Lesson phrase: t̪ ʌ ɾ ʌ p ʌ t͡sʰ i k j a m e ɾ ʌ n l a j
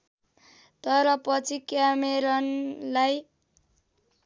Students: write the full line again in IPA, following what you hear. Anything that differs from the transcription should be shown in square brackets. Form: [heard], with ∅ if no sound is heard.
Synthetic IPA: t̪ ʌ ɾ ʌ p ʌ t͡sʰ i k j a m e ɾ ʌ n l a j